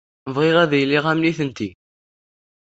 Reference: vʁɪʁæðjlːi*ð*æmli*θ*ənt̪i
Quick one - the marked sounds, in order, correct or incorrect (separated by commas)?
incorrect, correct